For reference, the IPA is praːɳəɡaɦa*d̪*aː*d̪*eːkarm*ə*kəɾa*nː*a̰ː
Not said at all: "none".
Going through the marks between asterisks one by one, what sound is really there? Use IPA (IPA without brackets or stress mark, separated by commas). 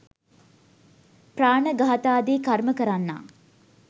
t̪, d̪, ə, nː